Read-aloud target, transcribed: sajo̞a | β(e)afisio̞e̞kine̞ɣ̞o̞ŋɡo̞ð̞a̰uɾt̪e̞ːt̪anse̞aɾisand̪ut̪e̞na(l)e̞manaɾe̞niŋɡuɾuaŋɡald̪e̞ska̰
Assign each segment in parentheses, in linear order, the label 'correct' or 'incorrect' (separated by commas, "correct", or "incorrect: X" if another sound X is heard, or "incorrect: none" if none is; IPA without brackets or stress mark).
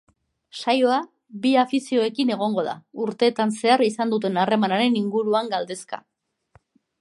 incorrect: i, incorrect: r